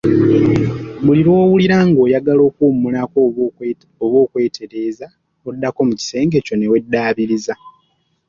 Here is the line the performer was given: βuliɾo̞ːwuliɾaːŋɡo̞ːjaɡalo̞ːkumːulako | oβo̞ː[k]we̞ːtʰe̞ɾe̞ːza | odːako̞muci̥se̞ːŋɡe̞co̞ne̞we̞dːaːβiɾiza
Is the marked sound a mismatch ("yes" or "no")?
no